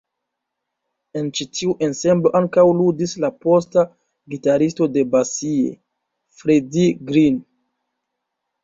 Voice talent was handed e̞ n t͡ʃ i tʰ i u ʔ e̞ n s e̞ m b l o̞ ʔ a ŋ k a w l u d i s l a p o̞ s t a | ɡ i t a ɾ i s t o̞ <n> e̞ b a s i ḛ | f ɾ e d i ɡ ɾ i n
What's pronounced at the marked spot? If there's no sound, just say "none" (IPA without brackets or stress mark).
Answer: d